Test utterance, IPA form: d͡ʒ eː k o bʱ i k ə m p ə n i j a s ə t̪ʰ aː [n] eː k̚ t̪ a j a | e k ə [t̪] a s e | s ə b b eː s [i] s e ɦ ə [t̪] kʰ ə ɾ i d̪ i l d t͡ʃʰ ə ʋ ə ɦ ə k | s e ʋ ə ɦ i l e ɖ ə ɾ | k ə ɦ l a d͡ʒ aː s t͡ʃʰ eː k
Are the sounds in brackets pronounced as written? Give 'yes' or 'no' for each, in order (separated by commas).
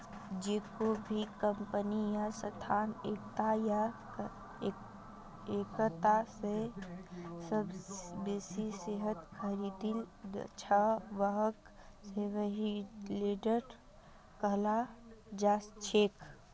yes, yes, yes, yes